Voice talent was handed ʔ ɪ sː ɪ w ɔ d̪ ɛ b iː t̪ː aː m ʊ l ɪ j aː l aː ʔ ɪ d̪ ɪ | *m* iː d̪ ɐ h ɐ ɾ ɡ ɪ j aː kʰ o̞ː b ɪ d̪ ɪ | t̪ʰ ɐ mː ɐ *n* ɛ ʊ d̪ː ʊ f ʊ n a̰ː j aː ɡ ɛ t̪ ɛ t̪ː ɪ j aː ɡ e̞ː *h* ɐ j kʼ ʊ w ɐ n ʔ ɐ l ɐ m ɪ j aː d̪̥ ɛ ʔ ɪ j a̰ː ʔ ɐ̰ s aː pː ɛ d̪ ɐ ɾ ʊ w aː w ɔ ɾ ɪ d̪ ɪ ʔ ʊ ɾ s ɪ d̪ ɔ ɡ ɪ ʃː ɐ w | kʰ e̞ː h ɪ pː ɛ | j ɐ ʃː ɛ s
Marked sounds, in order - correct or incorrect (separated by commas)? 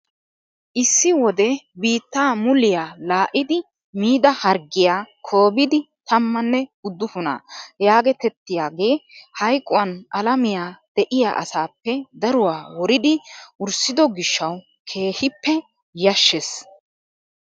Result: correct, incorrect, correct